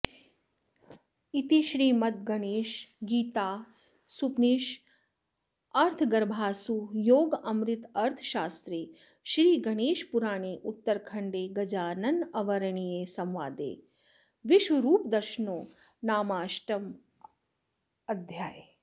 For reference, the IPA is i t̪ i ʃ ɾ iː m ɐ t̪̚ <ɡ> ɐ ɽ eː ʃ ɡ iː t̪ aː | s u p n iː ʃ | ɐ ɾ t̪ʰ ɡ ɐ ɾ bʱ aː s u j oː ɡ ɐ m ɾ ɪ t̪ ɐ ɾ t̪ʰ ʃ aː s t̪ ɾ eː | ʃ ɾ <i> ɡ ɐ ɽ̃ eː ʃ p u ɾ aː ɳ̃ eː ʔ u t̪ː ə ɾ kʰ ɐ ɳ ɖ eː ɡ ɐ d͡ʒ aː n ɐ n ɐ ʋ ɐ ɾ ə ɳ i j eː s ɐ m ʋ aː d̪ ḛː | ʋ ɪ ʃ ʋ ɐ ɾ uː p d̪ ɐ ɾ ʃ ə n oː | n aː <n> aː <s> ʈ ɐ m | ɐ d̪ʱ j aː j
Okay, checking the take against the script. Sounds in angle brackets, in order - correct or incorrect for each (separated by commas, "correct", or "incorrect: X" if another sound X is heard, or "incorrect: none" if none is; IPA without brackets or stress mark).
correct, incorrect: iː, incorrect: m, incorrect: ʃ